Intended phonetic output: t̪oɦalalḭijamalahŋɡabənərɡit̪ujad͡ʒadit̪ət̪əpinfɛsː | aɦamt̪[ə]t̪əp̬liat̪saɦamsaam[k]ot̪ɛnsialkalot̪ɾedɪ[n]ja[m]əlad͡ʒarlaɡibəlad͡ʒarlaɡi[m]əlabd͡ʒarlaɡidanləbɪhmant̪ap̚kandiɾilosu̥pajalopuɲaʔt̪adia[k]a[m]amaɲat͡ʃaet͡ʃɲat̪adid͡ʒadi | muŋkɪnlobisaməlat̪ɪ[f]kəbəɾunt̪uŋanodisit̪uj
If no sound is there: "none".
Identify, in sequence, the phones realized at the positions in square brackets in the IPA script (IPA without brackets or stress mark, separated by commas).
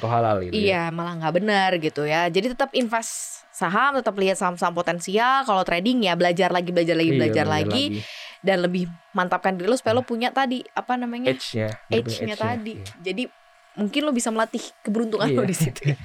ə, p, ŋ, b, b, p, n, h